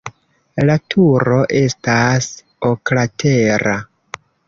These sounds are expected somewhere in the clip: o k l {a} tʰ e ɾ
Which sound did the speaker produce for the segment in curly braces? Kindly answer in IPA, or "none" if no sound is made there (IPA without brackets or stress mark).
a